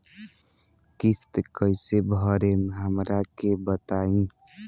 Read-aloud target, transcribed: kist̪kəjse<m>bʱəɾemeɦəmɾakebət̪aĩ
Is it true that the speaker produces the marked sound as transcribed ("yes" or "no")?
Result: no